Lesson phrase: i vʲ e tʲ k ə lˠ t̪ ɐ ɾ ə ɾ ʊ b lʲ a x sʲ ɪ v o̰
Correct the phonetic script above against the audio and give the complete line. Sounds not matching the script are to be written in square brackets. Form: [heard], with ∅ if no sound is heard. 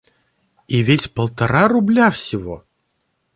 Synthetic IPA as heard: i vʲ e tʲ [p] ə lˠ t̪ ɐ ɾ [a] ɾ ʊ b lʲ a [f] sʲ ɪ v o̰